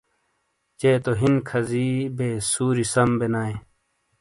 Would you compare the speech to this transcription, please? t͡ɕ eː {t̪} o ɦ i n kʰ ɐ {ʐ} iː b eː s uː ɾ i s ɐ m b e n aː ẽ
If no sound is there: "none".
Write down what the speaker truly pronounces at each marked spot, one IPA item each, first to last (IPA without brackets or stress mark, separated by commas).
t̪, z